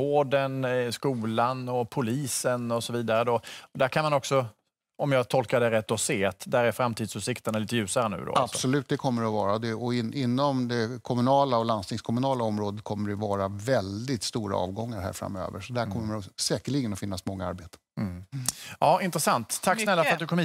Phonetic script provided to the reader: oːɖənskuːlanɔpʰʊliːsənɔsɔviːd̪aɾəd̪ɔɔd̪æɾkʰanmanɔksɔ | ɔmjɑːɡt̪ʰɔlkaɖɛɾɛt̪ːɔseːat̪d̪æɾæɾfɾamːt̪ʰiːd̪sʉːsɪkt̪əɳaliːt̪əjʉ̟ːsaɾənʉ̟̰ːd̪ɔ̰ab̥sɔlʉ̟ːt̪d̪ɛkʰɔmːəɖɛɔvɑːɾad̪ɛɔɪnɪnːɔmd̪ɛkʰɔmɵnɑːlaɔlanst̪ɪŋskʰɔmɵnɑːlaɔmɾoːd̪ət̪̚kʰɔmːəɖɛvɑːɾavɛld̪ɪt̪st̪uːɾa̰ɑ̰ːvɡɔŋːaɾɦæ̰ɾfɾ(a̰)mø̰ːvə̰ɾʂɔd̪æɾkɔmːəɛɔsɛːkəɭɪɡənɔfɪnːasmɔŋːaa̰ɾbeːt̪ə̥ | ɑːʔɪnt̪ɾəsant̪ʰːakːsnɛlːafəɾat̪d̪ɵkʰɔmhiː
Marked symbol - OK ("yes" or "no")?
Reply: yes